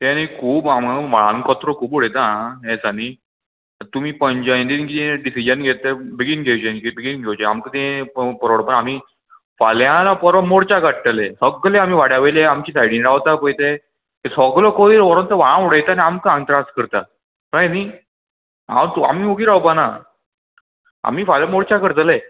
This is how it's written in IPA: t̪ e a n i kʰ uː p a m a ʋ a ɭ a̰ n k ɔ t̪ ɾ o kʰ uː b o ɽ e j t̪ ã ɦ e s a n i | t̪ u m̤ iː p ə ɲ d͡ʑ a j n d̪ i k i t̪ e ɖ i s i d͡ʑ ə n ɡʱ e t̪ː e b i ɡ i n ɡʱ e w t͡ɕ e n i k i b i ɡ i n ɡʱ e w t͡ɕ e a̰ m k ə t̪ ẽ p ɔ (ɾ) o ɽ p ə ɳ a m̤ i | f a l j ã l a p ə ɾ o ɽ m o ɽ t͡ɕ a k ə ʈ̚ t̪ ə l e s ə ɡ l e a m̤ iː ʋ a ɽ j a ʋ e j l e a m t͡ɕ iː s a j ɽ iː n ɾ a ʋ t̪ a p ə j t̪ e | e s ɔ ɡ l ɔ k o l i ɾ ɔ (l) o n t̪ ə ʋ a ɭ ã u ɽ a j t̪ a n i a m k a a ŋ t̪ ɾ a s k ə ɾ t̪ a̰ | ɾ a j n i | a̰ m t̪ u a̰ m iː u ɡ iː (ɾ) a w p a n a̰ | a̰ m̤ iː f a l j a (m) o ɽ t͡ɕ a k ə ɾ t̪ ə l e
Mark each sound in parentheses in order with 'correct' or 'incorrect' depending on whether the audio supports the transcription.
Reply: correct, incorrect, correct, correct

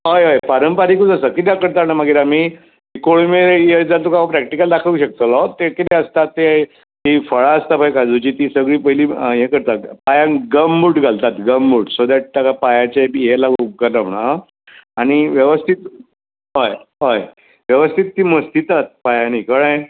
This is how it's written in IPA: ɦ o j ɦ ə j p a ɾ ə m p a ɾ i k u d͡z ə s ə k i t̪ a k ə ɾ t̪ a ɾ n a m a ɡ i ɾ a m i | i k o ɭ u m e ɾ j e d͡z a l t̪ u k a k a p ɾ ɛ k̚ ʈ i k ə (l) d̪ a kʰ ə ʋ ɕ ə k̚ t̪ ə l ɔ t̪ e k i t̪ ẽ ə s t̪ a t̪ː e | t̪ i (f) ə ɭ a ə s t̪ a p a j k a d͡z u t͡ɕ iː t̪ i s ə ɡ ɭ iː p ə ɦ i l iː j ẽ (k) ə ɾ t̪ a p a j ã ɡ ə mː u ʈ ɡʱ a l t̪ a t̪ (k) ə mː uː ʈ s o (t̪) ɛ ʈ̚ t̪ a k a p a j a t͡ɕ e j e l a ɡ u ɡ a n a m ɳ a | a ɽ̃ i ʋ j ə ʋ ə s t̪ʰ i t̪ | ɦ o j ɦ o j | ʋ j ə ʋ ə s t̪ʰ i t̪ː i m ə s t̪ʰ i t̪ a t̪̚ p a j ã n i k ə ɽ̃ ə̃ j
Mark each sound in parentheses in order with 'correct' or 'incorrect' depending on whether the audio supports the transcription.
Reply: correct, correct, correct, incorrect, incorrect

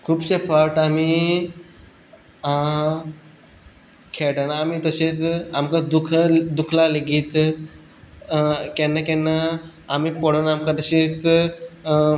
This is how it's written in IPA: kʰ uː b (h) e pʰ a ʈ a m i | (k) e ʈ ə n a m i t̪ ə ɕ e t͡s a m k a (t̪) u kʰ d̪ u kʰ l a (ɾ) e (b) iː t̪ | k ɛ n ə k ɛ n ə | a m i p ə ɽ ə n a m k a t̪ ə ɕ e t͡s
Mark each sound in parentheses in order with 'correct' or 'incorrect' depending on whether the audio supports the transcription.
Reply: incorrect, incorrect, incorrect, incorrect, incorrect

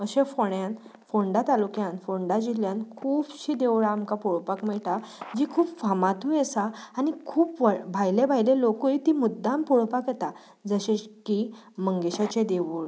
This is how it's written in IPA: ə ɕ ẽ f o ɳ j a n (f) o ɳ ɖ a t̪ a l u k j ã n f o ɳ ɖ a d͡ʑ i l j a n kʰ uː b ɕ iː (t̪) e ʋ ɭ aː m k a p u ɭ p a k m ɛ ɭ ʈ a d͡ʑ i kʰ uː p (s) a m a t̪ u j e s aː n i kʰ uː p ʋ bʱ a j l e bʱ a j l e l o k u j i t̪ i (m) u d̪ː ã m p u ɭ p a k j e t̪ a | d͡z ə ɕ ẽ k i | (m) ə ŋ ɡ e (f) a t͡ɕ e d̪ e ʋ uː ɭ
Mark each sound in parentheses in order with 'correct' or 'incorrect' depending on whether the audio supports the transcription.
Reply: correct, incorrect, incorrect, correct, correct, incorrect

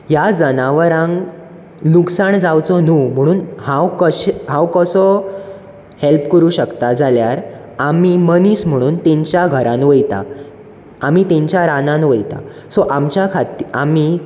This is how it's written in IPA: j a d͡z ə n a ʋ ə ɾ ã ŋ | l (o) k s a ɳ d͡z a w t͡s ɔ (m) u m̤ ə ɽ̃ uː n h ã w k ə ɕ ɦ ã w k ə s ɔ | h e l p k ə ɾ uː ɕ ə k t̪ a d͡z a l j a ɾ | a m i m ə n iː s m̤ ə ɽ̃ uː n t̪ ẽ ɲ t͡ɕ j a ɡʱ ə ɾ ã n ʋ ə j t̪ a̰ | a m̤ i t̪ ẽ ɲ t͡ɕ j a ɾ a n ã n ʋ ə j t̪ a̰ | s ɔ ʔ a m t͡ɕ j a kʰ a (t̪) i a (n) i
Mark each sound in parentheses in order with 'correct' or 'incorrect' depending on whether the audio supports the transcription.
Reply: incorrect, incorrect, correct, incorrect

